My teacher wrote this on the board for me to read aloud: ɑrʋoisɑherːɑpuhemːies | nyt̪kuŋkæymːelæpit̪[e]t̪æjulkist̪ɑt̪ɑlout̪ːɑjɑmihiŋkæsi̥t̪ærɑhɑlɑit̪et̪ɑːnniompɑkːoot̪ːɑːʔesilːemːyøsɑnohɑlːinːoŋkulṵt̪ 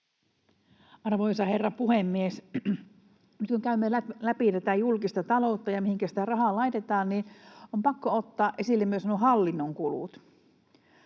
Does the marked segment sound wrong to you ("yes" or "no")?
yes